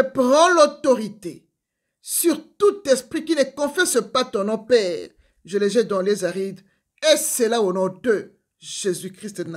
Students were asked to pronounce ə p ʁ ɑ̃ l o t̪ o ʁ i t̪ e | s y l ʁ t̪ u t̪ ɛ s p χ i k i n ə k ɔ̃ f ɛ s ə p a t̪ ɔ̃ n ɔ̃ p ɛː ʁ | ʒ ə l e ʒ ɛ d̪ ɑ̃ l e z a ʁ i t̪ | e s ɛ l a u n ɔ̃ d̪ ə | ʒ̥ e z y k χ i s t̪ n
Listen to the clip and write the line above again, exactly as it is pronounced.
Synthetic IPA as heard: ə p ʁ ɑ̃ l o t̪ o ʁ i t̪ e | s y ʁ t̪ u t̪ ɛ s p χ i k i n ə k ɔ̃ f ɛ s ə p a t̪ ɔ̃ n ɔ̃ p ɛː ʁ | ʒ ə l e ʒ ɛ d̪ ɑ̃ l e z a ʁ i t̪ | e s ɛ l a o n ɔ̃ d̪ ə | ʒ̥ e z y k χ i s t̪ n